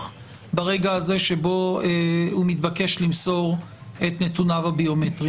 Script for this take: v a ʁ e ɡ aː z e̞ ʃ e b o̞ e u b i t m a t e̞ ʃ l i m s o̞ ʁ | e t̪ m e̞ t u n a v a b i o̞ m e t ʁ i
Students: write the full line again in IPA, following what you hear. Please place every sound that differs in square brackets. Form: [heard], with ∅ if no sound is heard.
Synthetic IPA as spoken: [b] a ʁ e ɡ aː z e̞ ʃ e b o̞ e u [m] i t [b] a [k] e̞ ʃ l i m s o̞ ʁ | e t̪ [n] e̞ t u n a v a b i o̞ m e t ʁ i